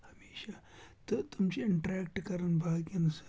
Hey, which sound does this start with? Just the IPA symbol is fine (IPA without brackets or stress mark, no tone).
h